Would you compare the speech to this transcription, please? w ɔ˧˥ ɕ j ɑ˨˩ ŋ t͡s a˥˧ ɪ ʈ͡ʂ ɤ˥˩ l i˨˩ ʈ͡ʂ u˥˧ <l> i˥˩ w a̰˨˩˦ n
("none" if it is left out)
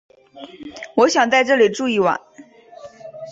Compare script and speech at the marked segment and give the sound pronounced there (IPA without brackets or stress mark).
none